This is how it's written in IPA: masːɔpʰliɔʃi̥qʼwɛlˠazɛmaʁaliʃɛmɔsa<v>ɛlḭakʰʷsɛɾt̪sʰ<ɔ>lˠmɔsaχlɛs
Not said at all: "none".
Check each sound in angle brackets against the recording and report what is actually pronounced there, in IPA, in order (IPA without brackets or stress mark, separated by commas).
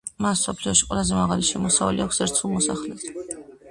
v, u